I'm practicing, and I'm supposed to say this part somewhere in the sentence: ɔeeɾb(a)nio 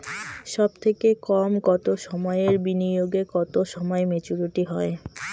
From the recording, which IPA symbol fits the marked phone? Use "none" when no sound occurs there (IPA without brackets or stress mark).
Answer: i